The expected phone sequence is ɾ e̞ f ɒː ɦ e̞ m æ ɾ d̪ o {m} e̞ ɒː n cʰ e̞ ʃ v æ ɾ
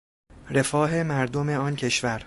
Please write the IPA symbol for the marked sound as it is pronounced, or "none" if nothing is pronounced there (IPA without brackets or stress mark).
m